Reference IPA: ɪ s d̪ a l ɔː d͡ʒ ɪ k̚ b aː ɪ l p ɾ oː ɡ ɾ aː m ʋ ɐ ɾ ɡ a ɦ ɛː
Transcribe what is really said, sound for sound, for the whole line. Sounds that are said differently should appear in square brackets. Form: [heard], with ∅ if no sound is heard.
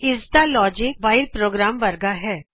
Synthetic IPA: ɪ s d̪ a l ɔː d͡ʒ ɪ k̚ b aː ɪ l p ɾ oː ɡ ɾ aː m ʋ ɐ ɾ ɡ a ɦ ɛː